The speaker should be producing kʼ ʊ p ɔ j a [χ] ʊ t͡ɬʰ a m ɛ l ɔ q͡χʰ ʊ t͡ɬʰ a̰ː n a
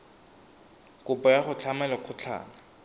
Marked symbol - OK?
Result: yes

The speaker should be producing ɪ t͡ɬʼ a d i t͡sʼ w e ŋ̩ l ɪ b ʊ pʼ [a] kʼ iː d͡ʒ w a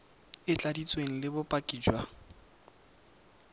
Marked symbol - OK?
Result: yes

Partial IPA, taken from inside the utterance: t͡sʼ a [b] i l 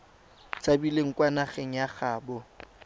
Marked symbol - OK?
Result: yes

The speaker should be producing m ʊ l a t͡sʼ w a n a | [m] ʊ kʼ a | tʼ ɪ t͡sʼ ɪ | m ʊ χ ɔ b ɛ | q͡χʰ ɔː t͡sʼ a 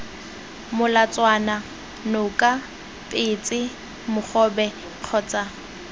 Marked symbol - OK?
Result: no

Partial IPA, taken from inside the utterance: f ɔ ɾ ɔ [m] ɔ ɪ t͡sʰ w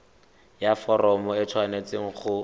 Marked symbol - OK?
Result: yes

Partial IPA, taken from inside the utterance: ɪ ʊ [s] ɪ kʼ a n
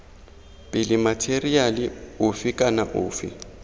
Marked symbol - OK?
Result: no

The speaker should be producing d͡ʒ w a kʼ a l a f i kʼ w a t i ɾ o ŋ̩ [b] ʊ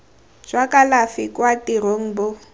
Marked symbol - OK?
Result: yes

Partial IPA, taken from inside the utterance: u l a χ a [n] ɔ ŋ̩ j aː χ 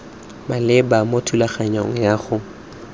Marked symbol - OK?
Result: no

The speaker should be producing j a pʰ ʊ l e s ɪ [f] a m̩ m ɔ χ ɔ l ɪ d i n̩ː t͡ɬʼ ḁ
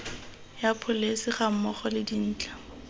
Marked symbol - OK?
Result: no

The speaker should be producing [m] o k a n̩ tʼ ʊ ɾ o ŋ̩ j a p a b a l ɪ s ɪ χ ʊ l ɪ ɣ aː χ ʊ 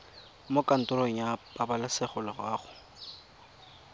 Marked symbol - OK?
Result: yes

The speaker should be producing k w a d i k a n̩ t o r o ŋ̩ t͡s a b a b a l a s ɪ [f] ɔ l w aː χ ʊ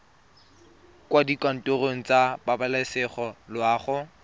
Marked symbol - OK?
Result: no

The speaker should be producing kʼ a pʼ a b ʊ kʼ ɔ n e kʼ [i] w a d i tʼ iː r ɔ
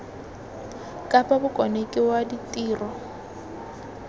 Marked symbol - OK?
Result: no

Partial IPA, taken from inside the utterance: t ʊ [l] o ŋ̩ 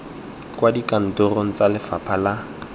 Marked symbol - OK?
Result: no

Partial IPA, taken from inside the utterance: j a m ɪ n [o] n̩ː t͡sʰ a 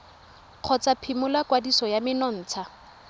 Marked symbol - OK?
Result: no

